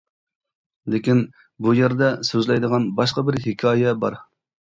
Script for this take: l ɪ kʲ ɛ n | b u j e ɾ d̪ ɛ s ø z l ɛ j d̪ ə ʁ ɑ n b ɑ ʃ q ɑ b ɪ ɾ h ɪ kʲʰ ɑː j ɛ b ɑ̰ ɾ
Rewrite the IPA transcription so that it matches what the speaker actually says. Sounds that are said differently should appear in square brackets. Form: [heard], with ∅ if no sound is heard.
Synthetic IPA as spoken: l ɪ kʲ [i] n | b u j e ɾ d̪ ɛ s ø z l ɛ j d̪ ə ʁ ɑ n b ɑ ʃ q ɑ b ɪ ɾ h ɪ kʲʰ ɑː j ɛ b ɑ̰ ɾ

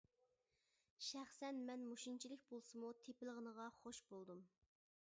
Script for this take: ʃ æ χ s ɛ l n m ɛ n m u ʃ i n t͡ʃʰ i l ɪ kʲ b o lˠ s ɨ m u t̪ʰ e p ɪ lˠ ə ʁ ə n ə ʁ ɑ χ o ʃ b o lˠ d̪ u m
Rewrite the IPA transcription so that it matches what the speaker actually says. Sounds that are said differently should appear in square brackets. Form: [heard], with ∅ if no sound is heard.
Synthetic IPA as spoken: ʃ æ χ s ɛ [∅] n m ɛ n m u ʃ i n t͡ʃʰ i l ɪ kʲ b o lˠ s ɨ m u t̪ʰ e p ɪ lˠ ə ʁ ə n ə ʁ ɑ χ o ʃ b o lˠ d̪ u m

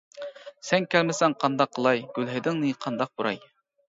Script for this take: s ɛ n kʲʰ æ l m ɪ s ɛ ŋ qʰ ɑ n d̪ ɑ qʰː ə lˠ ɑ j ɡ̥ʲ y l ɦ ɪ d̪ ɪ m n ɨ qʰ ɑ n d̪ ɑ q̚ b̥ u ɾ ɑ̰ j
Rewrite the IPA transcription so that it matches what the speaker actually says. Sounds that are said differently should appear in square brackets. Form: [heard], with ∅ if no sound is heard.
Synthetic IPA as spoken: s ɛ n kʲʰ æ l m ɪ s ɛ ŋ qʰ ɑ n d̪ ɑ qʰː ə lˠ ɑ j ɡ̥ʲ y l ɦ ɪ d̪ ɪ [ŋ] n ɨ qʰ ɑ n d̪ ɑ q̚ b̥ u ɾ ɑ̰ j

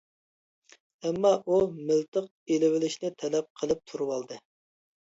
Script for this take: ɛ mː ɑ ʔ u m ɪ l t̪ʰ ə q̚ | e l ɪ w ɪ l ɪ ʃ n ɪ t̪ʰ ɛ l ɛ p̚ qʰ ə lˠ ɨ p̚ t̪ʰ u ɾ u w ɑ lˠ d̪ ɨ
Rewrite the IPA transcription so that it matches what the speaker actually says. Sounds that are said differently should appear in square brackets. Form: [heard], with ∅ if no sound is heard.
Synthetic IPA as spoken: ɛ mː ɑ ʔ u m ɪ l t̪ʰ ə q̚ | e l ɪ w ɪ l ɪ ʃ n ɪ t̪ʰ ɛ l ɛ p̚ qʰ ə lˠ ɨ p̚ t̪ʰ u ɾ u w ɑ lˠ d̪ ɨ

